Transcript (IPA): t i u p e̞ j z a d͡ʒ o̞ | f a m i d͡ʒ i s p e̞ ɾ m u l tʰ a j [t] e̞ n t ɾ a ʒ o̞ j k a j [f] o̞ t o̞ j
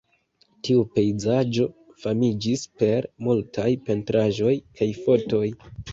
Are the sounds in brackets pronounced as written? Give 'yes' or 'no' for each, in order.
no, yes

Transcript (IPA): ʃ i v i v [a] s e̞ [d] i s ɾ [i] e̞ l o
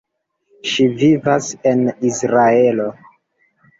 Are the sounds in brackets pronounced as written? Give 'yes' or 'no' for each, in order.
yes, no, no

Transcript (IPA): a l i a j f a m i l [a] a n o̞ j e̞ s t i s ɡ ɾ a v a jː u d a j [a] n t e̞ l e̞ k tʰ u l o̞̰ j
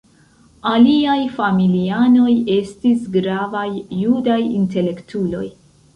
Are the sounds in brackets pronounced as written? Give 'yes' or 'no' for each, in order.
no, no

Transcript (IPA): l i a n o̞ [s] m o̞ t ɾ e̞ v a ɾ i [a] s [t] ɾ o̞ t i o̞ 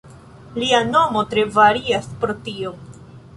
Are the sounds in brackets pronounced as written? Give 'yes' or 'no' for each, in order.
no, yes, no

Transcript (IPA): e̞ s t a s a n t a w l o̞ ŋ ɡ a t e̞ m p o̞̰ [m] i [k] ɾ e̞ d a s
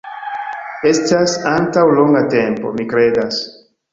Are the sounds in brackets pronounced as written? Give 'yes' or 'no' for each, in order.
yes, yes

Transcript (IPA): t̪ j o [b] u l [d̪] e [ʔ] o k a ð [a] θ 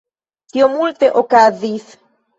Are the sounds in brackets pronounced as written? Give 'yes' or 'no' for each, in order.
no, no, yes, no

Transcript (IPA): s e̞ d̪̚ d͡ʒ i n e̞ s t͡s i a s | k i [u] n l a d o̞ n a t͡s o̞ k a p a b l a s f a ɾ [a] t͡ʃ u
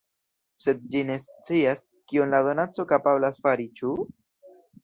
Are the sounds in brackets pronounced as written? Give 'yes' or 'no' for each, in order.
no, no

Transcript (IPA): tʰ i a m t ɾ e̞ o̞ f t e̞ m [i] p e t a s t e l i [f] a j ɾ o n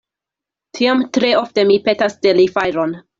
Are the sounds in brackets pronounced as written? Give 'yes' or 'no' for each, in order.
yes, yes

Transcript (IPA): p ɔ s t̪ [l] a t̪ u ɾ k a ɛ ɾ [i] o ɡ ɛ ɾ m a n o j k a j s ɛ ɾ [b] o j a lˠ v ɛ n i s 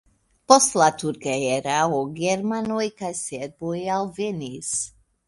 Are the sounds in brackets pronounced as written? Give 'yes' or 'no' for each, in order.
yes, no, yes

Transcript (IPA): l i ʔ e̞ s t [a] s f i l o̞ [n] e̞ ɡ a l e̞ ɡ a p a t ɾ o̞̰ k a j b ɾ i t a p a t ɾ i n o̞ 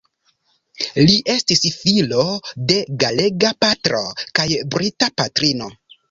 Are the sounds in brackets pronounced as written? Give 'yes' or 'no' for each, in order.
no, no

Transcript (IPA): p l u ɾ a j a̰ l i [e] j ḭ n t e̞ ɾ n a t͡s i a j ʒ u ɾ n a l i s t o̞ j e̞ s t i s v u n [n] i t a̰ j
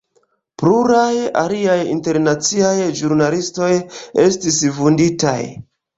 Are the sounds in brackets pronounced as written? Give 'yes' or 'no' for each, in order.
no, no

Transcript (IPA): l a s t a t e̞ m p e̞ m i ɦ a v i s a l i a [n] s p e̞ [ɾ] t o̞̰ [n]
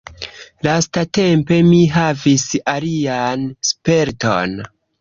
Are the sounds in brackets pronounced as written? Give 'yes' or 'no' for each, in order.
yes, yes, yes

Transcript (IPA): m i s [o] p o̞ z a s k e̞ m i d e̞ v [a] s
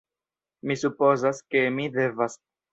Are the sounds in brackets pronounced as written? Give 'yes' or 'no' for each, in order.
no, yes

